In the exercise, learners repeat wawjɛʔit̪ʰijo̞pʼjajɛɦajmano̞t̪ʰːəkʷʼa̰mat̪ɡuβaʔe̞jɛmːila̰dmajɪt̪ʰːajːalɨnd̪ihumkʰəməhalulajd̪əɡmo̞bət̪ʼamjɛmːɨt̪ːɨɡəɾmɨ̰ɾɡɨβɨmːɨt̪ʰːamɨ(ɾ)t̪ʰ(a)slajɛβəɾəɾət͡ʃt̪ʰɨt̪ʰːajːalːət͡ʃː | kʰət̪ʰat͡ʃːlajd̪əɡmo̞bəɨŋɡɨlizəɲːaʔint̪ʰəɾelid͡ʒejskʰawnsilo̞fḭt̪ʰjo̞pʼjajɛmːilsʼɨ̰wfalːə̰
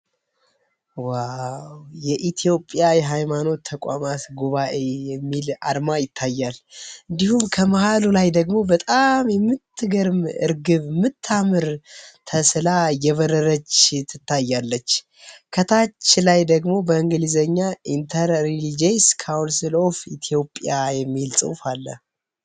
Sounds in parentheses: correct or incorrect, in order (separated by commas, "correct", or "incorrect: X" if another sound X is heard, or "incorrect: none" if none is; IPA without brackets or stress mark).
correct, incorrect: ə